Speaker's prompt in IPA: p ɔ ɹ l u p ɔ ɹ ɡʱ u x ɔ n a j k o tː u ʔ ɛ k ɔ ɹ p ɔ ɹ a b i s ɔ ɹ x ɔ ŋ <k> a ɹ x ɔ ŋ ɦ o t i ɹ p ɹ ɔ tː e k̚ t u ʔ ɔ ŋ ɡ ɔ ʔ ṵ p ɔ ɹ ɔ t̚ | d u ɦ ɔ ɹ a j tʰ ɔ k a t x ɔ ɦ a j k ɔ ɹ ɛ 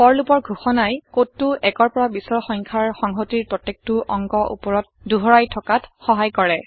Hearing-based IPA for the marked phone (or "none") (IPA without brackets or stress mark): kʰ